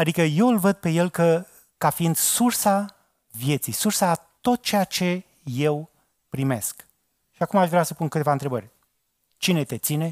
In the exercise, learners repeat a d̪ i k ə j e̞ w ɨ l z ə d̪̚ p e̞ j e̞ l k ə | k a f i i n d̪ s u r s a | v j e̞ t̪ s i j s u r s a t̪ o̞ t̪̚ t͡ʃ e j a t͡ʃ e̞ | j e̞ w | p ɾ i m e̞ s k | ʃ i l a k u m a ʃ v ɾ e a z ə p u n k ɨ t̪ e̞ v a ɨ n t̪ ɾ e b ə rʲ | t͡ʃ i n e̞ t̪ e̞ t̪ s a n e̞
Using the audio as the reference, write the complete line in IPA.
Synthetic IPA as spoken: a d̪ i k ə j e̞ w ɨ l v ə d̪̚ p e̞ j e̞ l k ə | k a f i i n d̪ s u r s a | v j e̞ t̪ s i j s u r s a t̪ o̞ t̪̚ t͡ʃ e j a t͡ʃ e̞ | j e̞ w | p ɾ i m e̞ s k | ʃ i a k u m a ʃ v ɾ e a s ə p u n k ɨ t̪ e̞ v a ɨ n t̪ ɾ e b ə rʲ | t͡ʃ i n e̞ t̪ e̞ t̪ s i n e̞